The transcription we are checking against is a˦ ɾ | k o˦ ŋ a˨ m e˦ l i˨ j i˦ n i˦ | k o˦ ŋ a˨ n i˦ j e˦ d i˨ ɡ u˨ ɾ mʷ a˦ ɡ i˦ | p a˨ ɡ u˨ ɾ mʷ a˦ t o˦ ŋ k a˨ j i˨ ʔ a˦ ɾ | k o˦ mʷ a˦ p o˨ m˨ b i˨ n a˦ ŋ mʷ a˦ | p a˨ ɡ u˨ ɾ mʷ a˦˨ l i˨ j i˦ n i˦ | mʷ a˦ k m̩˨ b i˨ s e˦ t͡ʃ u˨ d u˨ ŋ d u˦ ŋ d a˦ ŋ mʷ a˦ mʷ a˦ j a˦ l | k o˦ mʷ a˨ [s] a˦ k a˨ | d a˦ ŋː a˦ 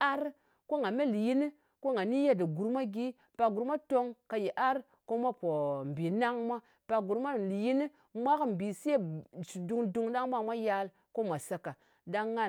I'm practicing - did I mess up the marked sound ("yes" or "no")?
no